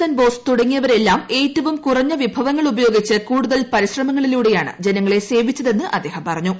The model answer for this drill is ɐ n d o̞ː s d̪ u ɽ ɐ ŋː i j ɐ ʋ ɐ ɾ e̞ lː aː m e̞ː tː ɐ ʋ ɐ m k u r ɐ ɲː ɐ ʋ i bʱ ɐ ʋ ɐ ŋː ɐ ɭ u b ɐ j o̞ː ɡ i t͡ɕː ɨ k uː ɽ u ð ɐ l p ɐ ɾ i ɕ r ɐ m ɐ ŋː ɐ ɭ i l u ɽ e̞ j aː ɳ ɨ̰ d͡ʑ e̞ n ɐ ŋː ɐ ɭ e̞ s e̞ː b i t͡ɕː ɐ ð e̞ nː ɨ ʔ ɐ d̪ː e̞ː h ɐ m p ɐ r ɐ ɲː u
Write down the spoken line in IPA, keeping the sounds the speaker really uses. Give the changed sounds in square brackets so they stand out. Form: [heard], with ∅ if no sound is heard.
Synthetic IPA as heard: ɐ n [b] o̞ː s [t̪] u ɽ ɐ ŋː i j ɐ ʋ ɐ ɾ e̞ lː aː m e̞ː tː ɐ ʋ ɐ m k u r ɐ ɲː ɐ ʋ i bʱ ɐ ʋ ɐ ŋː ɐ ɭ u b ɐ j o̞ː ɡ i t͡ɕː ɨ k uː ɽ u ð ɐ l p ɐ ɾ i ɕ r ɐ m ɐ ŋː ɐ ɭ i l [uː] ɽ e̞ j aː ɳ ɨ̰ d͡ʑ e̞ n ɐ ŋː ɐ ɭ e̞ s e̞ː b i t͡ɕː ɐ ð e̞ nː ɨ ʔ ɐ d̪ː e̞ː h ɐ m p ɐ r ɐ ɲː u